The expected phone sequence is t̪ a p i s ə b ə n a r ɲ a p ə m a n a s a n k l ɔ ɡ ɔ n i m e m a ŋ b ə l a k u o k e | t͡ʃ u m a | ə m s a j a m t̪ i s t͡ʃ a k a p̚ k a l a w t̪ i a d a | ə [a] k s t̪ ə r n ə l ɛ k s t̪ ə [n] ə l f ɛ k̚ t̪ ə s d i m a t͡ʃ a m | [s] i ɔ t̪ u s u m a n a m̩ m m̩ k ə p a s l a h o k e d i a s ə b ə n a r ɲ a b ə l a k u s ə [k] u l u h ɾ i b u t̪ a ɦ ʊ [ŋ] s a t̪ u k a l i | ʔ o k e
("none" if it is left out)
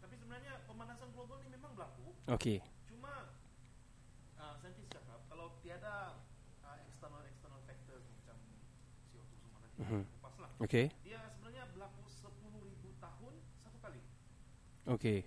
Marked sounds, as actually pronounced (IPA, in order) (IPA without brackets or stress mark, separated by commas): ɛ, n, s, p, n